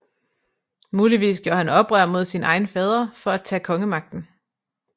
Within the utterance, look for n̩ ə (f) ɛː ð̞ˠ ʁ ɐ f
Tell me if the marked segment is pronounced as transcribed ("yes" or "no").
yes